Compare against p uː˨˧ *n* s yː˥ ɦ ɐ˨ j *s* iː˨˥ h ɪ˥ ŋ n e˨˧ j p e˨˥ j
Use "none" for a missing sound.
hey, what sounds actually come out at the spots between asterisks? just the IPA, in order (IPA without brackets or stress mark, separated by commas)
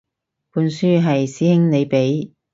n, s